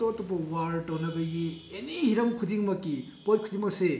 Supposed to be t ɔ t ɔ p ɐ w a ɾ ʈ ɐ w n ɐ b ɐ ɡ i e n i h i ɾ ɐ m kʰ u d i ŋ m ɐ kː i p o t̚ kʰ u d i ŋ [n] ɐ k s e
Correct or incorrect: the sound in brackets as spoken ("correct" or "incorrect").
incorrect